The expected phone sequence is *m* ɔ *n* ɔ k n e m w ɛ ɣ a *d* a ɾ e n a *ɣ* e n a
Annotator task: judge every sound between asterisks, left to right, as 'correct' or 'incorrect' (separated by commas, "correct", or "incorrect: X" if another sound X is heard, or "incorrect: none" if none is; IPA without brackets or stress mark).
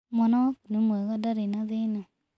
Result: correct, correct, correct, incorrect: ð